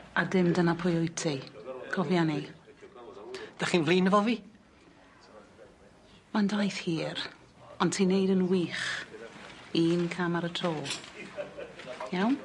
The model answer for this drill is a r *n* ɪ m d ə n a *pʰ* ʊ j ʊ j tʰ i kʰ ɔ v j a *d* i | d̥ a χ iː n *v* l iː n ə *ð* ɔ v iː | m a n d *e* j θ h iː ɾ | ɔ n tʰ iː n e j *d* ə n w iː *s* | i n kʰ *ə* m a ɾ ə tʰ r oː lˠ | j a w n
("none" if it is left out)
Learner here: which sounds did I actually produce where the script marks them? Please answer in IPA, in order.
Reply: d, pʰ, n, v, v, a, d, χ, a

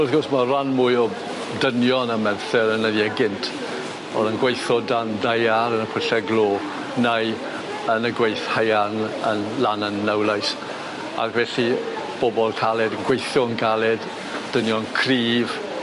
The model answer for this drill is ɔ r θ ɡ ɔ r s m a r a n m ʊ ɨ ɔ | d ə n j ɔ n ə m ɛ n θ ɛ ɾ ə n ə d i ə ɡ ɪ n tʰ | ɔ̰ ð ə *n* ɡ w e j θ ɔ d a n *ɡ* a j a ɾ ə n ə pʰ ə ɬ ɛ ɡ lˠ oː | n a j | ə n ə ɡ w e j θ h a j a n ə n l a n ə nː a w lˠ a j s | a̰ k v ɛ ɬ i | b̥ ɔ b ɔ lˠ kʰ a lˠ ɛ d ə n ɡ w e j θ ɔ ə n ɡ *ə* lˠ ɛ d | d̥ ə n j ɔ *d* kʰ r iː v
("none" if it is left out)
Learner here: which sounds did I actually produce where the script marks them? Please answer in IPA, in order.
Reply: n, d, a, n

